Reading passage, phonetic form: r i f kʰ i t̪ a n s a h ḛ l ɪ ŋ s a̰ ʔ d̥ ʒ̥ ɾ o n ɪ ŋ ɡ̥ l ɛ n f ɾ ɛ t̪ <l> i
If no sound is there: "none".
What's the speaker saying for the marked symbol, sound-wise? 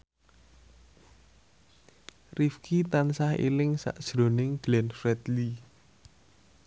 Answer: l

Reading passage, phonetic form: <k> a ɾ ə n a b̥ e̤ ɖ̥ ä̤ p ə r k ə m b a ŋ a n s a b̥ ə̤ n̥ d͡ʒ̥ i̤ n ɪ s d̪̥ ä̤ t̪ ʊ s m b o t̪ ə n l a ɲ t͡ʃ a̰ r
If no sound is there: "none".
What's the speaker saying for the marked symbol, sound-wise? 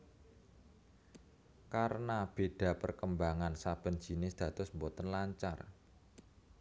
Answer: k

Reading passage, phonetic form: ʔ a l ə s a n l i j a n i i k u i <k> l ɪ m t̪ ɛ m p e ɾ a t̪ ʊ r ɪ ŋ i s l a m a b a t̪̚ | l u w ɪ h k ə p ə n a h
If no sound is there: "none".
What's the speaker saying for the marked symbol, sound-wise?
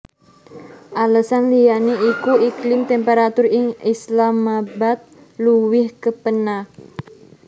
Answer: k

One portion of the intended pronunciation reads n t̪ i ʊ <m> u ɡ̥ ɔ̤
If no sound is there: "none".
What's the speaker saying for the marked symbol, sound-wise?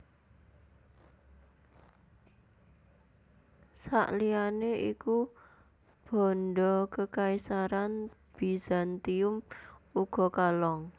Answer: m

